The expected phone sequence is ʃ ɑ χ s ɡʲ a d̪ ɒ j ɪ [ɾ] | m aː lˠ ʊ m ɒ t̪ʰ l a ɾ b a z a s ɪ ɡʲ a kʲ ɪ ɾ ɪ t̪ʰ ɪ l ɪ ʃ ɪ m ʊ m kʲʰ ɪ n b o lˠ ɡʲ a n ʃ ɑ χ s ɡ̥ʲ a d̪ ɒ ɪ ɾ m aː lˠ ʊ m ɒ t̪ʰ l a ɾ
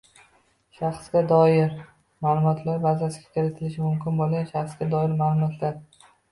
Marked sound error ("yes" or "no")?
no